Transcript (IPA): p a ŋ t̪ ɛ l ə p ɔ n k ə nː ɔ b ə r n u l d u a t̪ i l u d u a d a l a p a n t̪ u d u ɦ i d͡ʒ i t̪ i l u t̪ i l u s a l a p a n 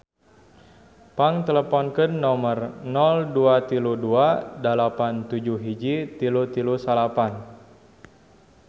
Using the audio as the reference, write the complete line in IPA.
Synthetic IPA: p a ŋ t̪ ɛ l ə p ɔ n k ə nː ɔ m ə r n ɔ l d u a t̪ i l u d u a d a l a p a n t̪ u d͡ʒ u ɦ i d͡ʒ i t̪ i l u t̪ i l u s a l a p a n